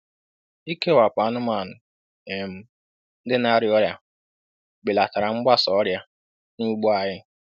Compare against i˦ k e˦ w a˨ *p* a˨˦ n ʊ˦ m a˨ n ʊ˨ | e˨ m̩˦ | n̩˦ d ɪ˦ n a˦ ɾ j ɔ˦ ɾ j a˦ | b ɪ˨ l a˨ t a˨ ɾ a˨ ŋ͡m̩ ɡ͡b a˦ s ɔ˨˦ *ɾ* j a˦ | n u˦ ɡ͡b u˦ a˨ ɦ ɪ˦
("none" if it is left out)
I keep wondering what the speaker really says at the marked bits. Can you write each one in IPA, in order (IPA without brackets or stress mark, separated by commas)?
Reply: p, ɾ